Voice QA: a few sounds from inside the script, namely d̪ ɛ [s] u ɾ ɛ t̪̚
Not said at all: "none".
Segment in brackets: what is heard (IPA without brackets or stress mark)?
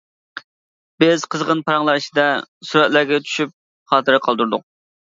s